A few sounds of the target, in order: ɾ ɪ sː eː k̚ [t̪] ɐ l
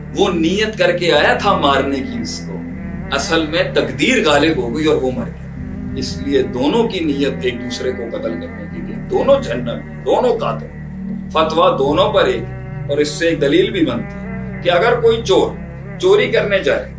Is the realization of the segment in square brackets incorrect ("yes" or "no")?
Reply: yes